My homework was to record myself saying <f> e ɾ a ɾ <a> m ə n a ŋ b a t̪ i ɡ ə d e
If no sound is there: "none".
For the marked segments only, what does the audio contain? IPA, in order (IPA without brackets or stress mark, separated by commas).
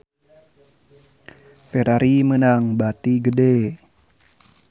f, i